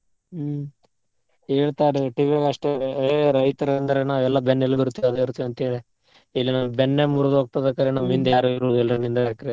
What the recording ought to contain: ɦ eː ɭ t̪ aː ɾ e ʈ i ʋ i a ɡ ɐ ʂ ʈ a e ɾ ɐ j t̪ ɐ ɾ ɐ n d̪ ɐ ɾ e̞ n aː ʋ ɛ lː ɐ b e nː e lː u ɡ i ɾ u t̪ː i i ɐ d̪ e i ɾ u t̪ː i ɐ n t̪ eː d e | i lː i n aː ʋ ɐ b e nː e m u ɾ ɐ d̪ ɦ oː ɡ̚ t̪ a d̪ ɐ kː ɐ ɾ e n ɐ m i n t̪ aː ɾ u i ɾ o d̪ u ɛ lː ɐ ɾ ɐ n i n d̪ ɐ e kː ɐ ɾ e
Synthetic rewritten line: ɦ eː ɭ t̪ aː ɾ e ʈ i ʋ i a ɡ ɐ ʂ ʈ e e ɾ ɐ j t̪ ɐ ɾ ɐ n d̪ ɐ ɾ e̞ n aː ʋ ɛ lː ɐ b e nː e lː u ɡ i ɾ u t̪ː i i ɐ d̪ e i ɾ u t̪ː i ɐ n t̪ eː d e | i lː i n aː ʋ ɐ b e nː e m u ɾ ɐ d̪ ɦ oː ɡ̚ t̪ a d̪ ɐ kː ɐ ɾ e n ɐ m i n d̪ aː ɾ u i ɾ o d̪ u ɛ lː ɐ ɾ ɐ n i n d̪ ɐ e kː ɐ ɾ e